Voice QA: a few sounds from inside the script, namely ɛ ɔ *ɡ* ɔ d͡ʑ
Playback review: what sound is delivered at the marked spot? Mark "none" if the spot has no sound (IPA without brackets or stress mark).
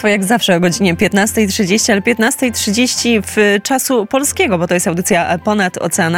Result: ɡ